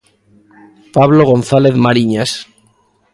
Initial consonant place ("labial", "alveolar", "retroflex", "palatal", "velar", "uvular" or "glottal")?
labial